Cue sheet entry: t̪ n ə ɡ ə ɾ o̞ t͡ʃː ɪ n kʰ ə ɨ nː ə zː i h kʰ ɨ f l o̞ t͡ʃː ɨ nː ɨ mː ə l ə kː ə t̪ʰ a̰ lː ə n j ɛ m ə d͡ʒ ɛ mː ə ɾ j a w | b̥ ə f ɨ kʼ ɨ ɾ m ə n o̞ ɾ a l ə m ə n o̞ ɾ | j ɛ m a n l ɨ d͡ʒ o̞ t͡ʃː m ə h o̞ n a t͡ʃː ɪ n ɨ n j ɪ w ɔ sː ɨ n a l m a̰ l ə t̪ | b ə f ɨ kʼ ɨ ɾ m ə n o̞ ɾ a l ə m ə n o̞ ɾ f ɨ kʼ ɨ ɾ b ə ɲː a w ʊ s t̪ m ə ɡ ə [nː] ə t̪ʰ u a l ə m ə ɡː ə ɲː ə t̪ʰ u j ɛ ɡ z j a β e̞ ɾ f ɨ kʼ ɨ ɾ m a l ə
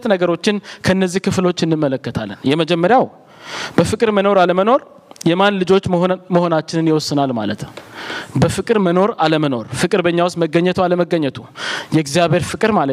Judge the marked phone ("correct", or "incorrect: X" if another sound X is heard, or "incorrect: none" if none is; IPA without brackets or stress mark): incorrect: ɲː